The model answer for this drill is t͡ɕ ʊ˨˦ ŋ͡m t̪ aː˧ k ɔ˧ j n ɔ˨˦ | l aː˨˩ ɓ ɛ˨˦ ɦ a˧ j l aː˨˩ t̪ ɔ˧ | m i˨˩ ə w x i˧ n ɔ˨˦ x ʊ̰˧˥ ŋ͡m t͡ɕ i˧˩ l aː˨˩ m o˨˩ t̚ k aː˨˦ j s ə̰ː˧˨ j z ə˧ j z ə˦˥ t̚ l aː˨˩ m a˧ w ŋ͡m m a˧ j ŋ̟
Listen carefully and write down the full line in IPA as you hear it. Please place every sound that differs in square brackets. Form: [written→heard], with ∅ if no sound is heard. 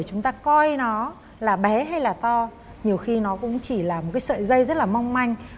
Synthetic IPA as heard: t͡ɕ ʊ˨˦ ŋ͡m t̪ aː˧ k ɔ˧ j n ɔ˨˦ | l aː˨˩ ɓ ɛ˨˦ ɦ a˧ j l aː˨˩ t̪ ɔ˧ | [m→ɲ] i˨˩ ə w x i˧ n ɔ˨˦ [x→k] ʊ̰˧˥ ŋ͡m t͡ɕ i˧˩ l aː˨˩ m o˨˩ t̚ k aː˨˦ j s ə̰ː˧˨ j z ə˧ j z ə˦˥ t̚ l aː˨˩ m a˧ w ŋ͡m m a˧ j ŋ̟

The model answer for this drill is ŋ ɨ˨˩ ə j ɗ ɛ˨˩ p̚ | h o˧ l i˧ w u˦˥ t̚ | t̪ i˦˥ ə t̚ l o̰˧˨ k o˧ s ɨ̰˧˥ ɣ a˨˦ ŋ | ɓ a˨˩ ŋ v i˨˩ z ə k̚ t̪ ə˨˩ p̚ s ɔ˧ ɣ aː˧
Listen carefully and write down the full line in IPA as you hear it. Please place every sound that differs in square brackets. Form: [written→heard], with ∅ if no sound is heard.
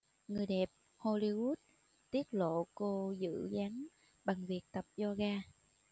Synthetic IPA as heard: ŋ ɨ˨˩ ə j ɗ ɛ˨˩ p̚ | h o˧ l i˧ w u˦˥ t̚ | t̪ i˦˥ ə t̚ l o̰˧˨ k o˧ [s→z] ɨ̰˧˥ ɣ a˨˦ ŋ | ɓ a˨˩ ŋ v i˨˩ [z→∅] ə k̚ t̪ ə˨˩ p̚ [s→z] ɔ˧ ɣ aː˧

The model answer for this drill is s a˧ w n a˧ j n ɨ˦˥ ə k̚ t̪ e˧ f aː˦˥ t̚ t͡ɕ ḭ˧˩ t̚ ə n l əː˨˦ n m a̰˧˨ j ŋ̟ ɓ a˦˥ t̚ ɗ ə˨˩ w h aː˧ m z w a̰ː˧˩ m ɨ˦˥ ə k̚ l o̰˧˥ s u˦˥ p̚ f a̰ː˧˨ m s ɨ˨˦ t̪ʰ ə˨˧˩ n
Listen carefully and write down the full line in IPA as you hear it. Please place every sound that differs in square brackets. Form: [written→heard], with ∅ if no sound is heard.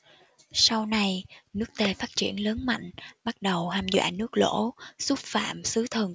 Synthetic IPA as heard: s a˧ w n a˧ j n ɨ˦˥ ə k̚ t̪ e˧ f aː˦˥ t̚ t͡ɕ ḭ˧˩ [t̚→∅] ə n l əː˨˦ n m a̰˧˨ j ŋ̟ ɓ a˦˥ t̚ ɗ ə˨˩ w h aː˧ m z w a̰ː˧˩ [m→n] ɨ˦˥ ə k̚ l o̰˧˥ s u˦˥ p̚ f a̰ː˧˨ m s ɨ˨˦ t̪ʰ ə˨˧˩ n

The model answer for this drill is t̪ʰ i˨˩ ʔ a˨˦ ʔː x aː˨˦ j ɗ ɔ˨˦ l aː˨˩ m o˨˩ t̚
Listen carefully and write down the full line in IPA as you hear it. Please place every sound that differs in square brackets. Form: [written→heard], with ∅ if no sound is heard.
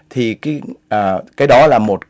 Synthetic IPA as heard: t̪ʰ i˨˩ [ʔ→k] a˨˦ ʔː [x→k] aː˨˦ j ɗ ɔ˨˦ l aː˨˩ m o˨˩ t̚

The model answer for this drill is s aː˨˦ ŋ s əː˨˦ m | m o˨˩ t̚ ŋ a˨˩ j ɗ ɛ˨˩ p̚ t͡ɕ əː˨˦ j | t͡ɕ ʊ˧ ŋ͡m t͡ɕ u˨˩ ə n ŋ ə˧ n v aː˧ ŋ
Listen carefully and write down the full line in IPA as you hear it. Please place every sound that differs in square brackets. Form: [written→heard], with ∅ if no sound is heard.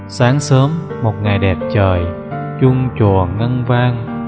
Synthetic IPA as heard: s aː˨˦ ŋ s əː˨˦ m | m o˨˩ t̚ ŋ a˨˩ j ɗ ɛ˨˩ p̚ t͡ɕ [əː˨˦→əː˨˩] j | t͡ɕ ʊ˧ ŋ͡m t͡ɕ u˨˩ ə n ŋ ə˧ n v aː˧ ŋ

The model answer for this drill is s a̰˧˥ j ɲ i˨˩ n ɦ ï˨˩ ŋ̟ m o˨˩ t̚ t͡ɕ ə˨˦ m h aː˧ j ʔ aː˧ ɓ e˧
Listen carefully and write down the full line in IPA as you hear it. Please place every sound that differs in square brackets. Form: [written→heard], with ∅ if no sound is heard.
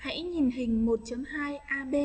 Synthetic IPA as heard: [s→h] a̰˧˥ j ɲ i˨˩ n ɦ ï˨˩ ŋ̟ m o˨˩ t̚ t͡ɕ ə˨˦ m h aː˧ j ʔ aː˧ ɓ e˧

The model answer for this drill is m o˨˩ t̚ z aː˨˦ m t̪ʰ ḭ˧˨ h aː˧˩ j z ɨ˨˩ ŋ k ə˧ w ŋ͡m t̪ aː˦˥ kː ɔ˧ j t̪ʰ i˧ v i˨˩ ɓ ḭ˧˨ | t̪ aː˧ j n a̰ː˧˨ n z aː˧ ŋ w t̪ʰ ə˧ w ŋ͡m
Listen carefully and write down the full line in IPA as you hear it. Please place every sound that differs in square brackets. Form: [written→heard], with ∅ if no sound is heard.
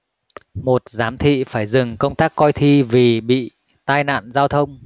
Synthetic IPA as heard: m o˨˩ t̚ z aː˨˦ m t̪ʰ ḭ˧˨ [h→f] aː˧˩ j z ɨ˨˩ ŋ k ə˧ w ŋ͡m t̪ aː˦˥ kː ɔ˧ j t̪ʰ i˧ v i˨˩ ɓ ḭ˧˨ | t̪ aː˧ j n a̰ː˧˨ n z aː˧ [ŋ→∅] w t̪ʰ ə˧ w ŋ͡m

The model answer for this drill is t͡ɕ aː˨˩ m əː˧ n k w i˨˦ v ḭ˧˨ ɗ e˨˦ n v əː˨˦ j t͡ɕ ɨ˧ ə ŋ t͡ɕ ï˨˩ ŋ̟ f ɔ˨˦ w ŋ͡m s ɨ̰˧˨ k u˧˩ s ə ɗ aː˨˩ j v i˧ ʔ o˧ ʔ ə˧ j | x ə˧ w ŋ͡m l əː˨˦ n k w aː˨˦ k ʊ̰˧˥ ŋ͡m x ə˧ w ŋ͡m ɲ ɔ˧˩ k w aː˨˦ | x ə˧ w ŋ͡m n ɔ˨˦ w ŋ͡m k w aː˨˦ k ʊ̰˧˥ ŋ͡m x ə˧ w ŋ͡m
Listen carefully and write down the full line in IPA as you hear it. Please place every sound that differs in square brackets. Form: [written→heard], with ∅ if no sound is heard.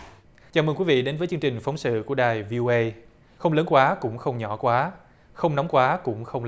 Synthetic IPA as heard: t͡ɕ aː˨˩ m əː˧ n k w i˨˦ v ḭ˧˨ ɗ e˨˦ n v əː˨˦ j t͡ɕ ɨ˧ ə ŋ t͡ɕ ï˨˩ ŋ̟ f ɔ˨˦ w ŋ͡m s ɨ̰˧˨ k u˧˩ [s→∅] ə ɗ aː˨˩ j v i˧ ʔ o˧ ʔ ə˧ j | x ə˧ w ŋ͡m l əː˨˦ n k w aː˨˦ k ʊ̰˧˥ ŋ͡m x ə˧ w ŋ͡m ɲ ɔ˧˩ k w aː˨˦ | x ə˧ w ŋ͡m n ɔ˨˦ w ŋ͡m k w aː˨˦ k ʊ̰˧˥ ŋ͡m x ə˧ w ŋ͡m

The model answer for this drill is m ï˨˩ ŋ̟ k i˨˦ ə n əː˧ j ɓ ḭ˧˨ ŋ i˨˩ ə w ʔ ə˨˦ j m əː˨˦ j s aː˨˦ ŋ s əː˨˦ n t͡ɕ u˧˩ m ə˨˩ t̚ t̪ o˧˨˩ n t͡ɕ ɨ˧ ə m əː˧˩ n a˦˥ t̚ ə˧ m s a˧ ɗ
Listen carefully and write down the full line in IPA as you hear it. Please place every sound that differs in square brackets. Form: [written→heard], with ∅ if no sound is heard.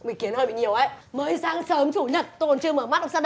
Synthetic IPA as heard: m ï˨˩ ŋ̟ k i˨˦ ə n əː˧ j ɓ ḭ˧˨ [ŋ→ɲ] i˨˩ ə w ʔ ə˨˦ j m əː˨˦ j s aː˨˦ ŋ s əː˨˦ [n→m] t͡ɕ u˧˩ [m→ɲ] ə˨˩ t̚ t̪ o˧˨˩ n t͡ɕ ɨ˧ ə m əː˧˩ [n→m] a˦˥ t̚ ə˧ [m→ŋ͡m] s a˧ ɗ

